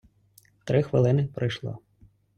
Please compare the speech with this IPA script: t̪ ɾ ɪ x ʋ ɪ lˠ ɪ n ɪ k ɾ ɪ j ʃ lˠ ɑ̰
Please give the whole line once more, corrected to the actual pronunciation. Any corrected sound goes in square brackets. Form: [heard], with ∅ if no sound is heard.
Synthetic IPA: t̪ ɾ ɪ x ʋ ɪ lˠ ɪ n ɪ [p] ɾ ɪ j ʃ lˠ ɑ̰